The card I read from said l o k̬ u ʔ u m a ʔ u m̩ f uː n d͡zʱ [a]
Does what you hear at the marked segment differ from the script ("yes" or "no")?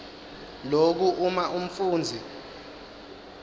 yes